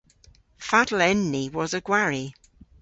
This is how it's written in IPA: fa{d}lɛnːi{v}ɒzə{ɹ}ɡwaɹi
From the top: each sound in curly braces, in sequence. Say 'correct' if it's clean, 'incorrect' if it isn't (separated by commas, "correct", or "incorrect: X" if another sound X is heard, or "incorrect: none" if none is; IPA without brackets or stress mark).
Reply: correct, incorrect: w, incorrect: none